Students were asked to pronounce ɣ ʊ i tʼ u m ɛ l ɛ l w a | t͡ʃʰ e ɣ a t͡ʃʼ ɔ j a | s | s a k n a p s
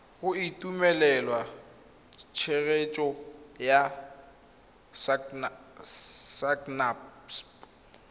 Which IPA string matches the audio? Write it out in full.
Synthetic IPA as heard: ɣ ʊ i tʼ u m ɛ l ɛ l w a | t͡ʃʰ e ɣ e t͡ʃʼ ɔ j a | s | s a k n a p s